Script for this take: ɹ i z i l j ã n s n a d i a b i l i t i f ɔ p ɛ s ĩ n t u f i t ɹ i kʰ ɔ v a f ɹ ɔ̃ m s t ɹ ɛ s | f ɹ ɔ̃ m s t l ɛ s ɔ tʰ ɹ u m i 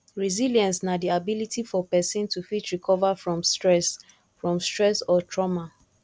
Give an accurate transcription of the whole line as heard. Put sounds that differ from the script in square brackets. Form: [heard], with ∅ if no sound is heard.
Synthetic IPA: ɹ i z i l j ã n s n a d i a b i l i t i f ɔ p ɛ s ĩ n t u f i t ɹ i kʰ ɔ v a f ɹ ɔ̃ m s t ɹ ɛ s | f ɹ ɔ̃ m s t [ɹ] ɛ s ɔ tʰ ɹ [ɔ] m [a]